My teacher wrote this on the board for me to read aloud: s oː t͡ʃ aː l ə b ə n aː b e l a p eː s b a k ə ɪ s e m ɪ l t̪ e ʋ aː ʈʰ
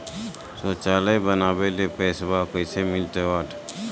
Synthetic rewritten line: s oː t͡ʃ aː l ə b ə n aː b e l e p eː s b a k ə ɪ s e m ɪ l t̪ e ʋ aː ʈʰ

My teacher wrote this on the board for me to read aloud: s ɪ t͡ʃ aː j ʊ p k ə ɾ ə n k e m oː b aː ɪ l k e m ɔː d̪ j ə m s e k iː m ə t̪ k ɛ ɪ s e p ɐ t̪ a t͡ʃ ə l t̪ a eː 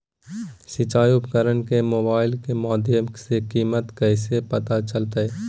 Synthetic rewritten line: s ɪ t͡ʃ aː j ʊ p k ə ɾ ə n k e m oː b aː ɪ l k e m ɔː d̪ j ə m s e k iː m ə t̪ k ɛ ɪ s e p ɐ t̪ a t͡ʃ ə l t̪ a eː

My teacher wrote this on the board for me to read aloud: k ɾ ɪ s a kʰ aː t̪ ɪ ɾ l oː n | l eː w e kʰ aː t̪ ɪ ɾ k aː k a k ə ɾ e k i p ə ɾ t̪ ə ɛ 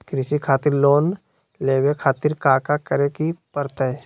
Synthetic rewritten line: k ɾ ɪ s i kʰ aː t̪ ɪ ɾ l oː n | l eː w e kʰ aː t̪ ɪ ɾ k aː k a k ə ɾ e k i p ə ɾ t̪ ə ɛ

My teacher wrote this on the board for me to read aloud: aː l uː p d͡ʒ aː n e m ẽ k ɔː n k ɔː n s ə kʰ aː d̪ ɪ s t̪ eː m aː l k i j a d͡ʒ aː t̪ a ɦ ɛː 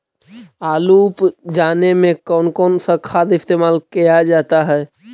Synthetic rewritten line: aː l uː p d͡ʒ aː n e m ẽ k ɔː n k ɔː n s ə kʰ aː d̪ ɪ s t̪ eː m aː l k i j a d͡ʒ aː t̪ a ɦ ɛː

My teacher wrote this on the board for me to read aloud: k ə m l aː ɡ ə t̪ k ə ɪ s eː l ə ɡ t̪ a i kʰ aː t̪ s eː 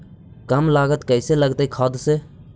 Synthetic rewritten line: k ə m l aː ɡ ə t̪ k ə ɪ s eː l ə ɡ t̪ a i kʰ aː d̪ s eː

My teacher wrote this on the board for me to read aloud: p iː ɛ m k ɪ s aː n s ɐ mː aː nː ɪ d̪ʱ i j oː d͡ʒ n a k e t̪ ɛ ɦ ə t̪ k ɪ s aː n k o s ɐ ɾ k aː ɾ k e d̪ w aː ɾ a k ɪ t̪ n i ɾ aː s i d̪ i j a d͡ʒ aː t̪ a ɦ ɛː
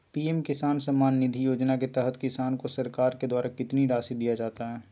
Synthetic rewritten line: p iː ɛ m k ɪ s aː n s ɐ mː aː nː ɪ d̪ʱ i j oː d͡ʒ n a k e t̪ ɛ ɦ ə t̪ k ɪ s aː n k o s ɐ ɾ k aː ɾ k e d̪ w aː ɾ a k ɪ t̪ n i ɾ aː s i d̪ i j a d͡ʒ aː t̪ a ɦ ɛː

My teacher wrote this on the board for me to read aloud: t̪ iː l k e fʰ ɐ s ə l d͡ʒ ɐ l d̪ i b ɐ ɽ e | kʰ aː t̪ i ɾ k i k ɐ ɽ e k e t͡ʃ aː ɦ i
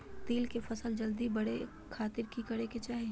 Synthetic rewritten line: t̪ iː l k e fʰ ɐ s ə l d͡ʒ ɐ l d̪ i b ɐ ɽ e | kʰ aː t̪ ɪ ɾ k i k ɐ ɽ e k e t͡ʃ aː ɦ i

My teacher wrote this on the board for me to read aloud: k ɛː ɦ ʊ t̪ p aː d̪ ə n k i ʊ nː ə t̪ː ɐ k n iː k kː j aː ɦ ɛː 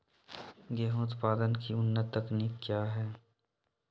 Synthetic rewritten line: ɡ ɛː ɦ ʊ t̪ p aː d̪ ə n k i ʊ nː ə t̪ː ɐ k n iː k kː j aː ɦ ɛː

